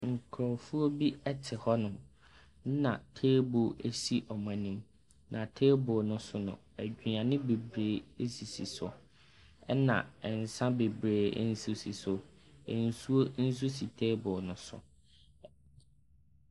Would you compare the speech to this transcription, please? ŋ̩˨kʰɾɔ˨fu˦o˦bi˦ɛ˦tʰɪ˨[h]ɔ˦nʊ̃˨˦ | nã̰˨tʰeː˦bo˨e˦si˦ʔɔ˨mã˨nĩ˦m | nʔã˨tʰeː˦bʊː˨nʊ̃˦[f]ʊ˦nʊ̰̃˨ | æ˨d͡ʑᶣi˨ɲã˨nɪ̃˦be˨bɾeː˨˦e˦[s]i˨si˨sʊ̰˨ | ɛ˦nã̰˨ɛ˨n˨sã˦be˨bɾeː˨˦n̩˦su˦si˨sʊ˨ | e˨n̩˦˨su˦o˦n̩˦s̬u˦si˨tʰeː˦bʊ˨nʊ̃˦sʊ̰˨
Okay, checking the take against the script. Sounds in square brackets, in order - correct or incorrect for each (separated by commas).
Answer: correct, incorrect, correct